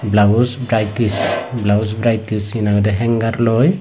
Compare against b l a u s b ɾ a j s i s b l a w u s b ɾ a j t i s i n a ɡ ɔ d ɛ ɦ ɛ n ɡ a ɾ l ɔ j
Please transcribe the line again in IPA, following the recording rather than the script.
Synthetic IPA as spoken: b l a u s b ɾ a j t i s b l a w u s b ɾ a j t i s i n a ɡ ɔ d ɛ ɦ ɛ ŋ ɡ a ɾ l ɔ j